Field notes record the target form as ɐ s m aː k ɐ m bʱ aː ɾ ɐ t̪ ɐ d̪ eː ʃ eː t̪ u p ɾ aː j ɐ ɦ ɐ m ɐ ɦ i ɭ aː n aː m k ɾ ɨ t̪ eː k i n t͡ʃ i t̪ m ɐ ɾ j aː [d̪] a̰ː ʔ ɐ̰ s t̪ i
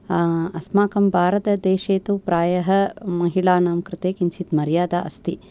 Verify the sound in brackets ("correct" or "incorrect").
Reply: correct